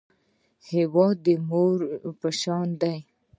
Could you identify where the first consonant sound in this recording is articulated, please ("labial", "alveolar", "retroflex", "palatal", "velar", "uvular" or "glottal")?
glottal